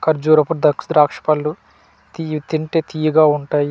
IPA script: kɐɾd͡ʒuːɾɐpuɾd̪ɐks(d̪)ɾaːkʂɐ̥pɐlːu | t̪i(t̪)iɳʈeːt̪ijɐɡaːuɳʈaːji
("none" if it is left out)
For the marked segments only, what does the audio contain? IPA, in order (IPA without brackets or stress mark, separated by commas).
d̪, t̪